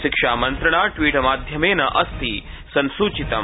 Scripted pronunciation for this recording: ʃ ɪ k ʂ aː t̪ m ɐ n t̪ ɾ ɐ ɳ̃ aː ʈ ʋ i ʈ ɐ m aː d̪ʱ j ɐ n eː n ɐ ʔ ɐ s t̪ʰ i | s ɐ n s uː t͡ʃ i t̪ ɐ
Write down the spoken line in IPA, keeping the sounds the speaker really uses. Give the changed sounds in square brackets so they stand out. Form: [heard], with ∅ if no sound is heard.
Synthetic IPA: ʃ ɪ k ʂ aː [∅] m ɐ n t̪ ɾ ɐ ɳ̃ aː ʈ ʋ [iː] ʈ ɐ m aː d̪ʱ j ɐ [m] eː n ɐ ʔ ɐ s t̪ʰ i | s ɐ n s uː t͡ʃ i t̪ ɐ